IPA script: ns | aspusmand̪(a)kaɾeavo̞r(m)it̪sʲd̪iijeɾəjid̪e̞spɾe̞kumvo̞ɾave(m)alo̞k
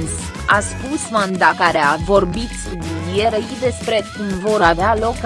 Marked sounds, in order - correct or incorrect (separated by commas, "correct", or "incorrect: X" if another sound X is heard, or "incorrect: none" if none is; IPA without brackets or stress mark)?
correct, incorrect: b, incorrect: none